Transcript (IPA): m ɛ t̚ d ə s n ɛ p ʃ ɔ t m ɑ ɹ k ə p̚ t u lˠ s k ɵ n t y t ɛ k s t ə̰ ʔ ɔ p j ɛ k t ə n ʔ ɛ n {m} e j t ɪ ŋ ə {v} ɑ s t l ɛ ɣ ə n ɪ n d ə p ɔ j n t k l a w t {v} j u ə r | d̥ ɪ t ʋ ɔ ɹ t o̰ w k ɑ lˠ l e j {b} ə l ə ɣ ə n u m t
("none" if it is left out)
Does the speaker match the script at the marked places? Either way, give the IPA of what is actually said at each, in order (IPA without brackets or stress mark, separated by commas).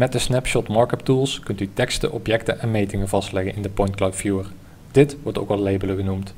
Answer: m, v, f, b